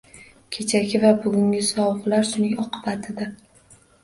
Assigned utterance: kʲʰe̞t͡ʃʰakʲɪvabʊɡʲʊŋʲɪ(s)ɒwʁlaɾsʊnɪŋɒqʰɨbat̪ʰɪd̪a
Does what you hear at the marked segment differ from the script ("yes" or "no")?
no